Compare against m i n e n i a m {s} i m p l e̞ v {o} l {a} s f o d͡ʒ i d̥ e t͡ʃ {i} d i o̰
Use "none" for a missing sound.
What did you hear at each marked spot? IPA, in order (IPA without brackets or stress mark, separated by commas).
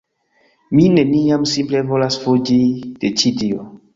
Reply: s, o, a, i